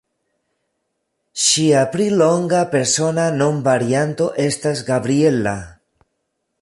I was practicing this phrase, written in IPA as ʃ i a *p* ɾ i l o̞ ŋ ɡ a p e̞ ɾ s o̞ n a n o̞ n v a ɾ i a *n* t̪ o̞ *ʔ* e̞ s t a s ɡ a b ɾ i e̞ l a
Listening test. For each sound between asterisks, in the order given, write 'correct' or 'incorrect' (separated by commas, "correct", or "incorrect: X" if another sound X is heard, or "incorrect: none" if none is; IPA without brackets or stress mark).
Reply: correct, correct, correct